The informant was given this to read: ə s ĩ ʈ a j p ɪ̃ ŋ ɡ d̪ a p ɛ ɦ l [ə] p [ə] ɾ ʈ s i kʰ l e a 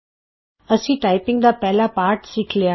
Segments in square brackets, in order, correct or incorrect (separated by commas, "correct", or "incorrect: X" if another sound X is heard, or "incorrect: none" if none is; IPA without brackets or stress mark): incorrect: a, incorrect: a